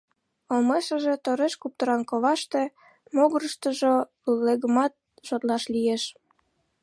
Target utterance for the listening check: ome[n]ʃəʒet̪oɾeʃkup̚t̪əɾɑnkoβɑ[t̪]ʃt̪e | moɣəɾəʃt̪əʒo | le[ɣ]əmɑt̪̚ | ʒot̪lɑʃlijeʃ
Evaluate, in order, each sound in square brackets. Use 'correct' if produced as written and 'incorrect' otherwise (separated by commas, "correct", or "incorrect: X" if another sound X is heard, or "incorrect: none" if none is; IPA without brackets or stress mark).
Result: incorrect: none, incorrect: none, correct